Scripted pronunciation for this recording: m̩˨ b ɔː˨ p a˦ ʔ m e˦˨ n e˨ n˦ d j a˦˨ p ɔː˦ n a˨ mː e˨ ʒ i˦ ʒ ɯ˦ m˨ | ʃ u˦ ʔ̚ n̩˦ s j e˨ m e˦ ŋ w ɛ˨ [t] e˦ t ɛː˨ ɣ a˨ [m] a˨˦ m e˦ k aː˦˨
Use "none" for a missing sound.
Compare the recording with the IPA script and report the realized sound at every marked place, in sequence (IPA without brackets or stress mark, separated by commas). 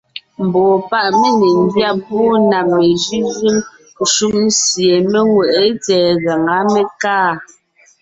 ʔ, ŋ